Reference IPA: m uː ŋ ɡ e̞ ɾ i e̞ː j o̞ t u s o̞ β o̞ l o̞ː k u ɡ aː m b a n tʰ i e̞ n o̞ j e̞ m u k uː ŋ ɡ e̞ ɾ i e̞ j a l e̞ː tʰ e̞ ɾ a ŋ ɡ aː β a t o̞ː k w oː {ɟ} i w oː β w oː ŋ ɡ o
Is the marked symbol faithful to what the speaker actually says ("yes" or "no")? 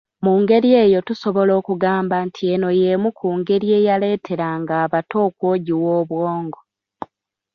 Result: yes